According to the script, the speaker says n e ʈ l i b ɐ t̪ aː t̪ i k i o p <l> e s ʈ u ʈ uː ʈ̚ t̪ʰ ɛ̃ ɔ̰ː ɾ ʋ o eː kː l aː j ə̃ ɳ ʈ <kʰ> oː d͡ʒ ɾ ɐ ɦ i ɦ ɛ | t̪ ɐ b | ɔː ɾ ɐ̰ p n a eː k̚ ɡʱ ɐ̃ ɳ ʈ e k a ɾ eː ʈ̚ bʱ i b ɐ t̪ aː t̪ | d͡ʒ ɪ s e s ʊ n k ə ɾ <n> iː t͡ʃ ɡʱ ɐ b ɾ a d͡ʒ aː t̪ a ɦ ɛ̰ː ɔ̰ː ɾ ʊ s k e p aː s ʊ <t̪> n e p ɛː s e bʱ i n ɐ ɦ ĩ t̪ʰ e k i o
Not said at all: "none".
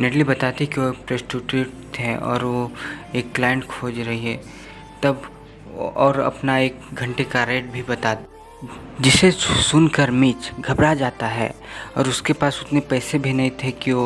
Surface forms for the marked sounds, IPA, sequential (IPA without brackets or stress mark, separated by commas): ɾ, kʰ, m, t̪